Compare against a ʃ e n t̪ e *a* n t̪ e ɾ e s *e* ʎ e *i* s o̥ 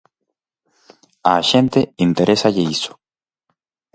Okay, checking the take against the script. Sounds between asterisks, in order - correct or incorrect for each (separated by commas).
incorrect, incorrect, correct